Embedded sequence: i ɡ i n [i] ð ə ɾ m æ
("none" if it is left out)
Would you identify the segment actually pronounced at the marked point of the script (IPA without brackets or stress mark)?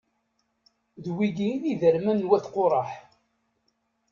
i